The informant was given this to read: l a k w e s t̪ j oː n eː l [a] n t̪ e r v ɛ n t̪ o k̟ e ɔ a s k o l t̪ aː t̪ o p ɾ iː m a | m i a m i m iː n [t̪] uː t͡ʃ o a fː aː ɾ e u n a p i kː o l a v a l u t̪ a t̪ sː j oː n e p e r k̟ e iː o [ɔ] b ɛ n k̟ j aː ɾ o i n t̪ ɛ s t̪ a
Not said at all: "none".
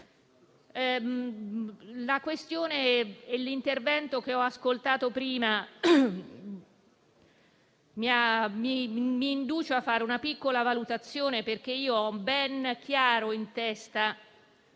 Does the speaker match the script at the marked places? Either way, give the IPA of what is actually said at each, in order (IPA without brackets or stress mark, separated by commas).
i, d̪, ɔ